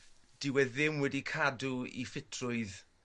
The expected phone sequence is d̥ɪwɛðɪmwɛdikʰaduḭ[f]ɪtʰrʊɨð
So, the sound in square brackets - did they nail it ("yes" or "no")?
yes